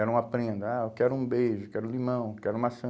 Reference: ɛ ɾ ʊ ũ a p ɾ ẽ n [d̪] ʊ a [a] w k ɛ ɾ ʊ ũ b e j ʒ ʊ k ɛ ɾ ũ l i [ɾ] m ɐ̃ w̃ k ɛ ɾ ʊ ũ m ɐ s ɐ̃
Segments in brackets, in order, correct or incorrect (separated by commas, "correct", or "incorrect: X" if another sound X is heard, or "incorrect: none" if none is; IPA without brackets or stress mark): correct, incorrect: e, incorrect: none